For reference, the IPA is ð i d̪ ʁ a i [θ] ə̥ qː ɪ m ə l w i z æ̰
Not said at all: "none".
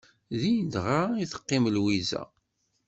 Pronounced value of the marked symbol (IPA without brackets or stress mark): θ